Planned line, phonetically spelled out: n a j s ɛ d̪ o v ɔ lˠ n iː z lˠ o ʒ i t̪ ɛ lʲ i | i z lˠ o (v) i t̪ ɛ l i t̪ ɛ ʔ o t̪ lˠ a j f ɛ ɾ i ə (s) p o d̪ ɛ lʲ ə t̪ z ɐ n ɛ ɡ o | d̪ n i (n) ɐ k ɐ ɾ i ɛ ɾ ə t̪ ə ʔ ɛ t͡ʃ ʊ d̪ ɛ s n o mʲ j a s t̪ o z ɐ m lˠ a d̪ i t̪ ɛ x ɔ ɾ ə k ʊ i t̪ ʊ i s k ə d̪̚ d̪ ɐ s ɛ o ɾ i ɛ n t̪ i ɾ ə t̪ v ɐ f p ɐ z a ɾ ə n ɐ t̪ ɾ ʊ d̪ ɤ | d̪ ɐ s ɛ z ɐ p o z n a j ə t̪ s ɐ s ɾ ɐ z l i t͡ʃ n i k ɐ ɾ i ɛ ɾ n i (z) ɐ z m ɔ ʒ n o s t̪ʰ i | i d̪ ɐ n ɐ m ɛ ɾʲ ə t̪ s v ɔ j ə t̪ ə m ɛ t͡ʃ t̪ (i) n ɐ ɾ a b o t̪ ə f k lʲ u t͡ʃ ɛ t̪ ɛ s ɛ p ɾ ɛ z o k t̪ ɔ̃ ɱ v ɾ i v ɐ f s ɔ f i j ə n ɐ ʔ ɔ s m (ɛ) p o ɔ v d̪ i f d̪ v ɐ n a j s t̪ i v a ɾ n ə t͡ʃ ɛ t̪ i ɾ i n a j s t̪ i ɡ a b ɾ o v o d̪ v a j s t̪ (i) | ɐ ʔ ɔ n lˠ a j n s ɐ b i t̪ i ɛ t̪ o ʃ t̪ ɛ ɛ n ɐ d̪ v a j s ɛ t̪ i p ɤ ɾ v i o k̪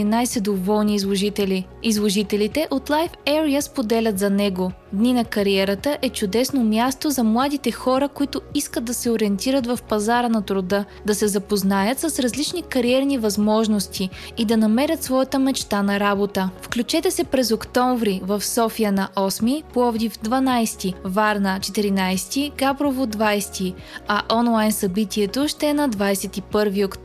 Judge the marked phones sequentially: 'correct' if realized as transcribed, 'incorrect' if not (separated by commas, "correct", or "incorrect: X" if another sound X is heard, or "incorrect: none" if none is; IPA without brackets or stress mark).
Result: incorrect: ʒ, correct, correct, incorrect: v, incorrect: a, incorrect: i, correct